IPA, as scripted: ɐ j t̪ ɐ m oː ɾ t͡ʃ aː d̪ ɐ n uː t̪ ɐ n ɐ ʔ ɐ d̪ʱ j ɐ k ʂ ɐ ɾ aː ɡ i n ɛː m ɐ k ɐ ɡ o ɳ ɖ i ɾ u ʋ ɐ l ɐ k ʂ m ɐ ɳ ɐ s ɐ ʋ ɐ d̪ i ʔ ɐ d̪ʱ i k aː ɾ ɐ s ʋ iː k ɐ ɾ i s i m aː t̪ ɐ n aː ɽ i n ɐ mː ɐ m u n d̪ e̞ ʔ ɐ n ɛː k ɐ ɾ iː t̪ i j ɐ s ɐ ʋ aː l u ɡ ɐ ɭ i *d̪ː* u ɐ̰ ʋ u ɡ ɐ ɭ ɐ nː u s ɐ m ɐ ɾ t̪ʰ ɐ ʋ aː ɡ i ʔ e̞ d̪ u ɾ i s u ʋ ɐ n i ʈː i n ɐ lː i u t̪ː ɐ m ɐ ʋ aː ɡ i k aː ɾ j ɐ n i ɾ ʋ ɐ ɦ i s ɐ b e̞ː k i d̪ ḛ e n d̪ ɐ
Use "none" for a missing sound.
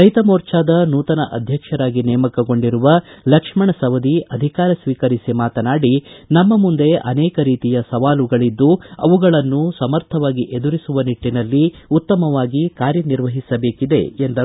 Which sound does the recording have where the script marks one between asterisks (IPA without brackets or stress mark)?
d̪ː